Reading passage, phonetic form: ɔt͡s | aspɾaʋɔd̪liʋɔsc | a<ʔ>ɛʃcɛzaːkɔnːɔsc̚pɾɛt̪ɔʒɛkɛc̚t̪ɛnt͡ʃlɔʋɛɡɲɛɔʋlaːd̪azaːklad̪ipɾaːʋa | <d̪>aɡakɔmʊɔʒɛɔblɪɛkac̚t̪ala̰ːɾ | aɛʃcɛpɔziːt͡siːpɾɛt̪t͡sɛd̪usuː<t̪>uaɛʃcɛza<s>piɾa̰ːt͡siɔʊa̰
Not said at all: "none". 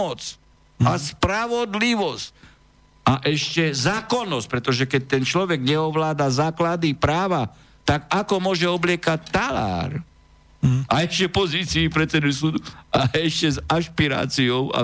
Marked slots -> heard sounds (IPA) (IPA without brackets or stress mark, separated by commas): ʔ, t̪, d̪, ʃ